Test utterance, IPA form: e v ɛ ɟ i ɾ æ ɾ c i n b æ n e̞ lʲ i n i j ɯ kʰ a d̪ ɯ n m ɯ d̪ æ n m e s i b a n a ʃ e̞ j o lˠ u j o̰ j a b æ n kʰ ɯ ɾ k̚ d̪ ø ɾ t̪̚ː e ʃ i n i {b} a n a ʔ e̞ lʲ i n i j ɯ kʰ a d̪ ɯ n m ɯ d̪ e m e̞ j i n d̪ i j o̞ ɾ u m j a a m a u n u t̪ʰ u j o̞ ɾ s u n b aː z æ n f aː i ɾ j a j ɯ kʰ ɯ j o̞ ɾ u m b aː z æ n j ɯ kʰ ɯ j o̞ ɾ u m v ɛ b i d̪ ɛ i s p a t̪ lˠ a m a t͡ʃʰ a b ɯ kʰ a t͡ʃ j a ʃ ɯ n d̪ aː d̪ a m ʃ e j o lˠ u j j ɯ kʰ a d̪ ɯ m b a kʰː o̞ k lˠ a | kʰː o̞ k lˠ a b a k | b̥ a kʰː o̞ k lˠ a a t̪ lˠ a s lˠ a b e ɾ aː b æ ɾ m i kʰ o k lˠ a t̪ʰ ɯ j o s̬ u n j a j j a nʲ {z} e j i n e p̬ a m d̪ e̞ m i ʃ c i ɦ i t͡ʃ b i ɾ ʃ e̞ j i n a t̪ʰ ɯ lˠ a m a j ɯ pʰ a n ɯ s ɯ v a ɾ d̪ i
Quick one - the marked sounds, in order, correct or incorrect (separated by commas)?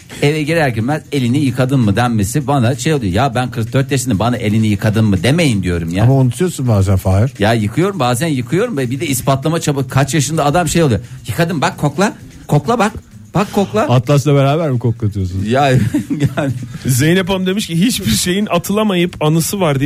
correct, correct